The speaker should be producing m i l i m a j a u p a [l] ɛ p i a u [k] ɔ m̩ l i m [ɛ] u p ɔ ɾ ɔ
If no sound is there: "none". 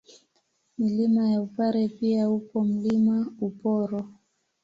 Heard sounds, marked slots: ɾ, p, a

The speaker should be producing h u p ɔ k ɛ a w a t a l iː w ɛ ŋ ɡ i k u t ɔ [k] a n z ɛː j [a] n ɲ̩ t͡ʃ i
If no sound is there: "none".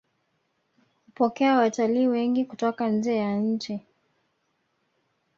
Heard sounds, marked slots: k, a

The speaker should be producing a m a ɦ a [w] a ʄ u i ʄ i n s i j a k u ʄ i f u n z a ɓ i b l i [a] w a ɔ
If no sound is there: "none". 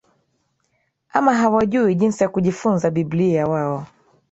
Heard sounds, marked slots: w, a

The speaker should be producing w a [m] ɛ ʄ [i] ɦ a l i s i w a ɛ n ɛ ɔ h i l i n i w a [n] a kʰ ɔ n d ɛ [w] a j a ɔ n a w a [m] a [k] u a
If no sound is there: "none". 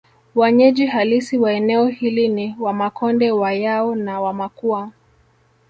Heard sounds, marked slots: ɲ, i, m, w, m, k

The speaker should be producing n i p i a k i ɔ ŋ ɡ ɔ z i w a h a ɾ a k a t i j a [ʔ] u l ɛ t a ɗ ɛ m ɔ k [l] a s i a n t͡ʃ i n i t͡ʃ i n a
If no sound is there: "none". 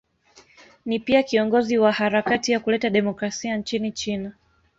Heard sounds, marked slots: k, ɾ

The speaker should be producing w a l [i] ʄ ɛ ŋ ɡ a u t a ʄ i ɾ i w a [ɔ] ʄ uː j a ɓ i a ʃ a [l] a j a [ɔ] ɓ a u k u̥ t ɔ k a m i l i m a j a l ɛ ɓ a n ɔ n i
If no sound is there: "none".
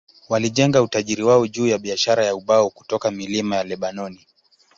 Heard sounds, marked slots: i, ɔ, ɾ, u

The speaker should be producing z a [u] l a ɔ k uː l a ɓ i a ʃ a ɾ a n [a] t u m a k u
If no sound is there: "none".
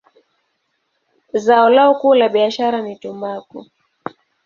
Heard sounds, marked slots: ɔ, i

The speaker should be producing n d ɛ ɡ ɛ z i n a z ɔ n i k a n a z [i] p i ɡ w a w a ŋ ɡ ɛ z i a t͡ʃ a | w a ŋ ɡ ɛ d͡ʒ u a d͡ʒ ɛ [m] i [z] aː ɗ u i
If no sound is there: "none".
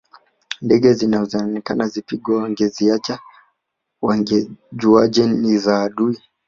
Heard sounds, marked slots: i, n, z

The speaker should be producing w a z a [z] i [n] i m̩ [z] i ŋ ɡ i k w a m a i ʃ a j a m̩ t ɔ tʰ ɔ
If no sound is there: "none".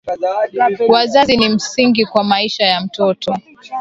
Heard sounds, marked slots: z, n, s

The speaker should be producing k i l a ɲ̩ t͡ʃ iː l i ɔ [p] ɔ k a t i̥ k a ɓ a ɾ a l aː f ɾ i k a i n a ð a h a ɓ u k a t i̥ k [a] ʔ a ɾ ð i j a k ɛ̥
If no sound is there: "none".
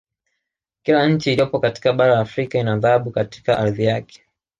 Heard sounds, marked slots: p, a

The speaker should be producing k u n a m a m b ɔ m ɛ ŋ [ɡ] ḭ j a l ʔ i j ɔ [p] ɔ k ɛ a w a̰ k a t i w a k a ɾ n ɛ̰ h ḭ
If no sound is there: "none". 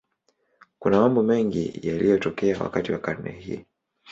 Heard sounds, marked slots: ɡ, t

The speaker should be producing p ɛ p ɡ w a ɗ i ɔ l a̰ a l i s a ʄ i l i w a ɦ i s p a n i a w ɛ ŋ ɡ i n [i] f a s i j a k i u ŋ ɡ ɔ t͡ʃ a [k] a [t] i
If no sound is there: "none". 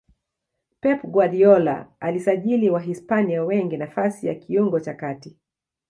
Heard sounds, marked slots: a, k, t

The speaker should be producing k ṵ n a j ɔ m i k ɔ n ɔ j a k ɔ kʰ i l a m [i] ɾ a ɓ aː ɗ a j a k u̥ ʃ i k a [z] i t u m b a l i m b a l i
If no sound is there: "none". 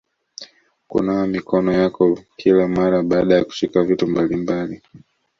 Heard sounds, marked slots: a, v

